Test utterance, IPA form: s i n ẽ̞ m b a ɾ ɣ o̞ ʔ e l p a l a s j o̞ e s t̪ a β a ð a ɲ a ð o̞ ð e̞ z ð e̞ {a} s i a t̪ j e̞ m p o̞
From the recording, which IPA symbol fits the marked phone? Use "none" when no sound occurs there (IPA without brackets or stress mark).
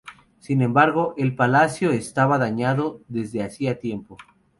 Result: a